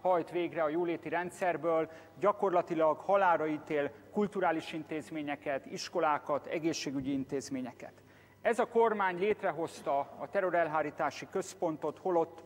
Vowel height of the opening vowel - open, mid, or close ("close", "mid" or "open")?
open